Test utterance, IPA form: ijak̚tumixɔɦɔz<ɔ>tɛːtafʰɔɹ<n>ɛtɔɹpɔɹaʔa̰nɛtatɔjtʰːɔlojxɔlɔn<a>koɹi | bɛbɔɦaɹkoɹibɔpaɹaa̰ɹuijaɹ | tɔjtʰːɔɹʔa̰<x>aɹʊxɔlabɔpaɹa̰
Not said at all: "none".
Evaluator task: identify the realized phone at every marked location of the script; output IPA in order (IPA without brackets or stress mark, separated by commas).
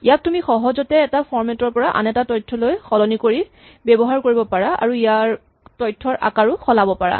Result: ɔ, m, i, k